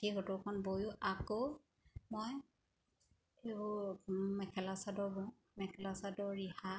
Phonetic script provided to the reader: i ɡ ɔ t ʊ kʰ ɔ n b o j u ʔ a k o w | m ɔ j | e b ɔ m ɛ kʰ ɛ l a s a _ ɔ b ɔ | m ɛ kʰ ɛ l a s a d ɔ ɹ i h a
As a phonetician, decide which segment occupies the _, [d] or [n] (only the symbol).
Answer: d